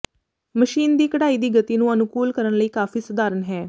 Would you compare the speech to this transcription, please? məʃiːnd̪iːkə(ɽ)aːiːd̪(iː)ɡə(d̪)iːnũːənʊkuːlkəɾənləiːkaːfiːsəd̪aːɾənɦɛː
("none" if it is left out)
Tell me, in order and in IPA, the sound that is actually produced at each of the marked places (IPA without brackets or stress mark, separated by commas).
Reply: ɽ, iː, t̪